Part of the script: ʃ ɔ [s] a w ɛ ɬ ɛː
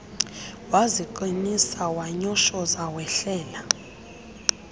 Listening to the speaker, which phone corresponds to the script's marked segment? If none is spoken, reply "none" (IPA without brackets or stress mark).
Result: z